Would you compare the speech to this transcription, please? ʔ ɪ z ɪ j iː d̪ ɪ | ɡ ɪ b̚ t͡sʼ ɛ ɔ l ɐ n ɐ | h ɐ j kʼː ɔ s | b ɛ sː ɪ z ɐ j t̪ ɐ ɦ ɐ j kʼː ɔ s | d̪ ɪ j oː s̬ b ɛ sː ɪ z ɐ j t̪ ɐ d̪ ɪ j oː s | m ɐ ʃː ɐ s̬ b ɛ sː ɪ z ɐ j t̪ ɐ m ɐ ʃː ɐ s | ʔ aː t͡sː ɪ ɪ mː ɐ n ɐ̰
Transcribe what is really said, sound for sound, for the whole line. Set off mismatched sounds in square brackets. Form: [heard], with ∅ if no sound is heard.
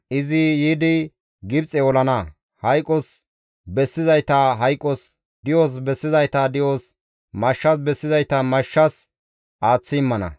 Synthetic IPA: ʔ ɪ z ɪ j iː d̪ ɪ | ɡ ɪ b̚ t͡sʼ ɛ ɔ l ɐ n ɐ | h ɐ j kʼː ɔ s | b ɛ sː ɪ z ɐ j t̪ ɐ ɦ ɐ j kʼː ɔ s | d̪ ɪ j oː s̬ b ɛ sː ɪ z ɐ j t̪ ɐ d̪ ɪ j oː s | m ɐ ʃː ɐ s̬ b ɛ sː ɪ z ɐ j t̪ ɐ m ɐ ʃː ɐ s | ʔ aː t͡sː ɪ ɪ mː ɐ n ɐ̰